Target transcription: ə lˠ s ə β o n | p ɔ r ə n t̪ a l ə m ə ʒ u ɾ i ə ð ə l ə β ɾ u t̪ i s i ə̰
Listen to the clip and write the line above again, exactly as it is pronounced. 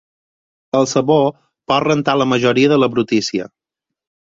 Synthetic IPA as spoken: ə lˠ s ə β o | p ɔ r ə n t̪ a l ə m ə ʒ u ɾ i ə ð ə l ə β ɾ u t̪ i s i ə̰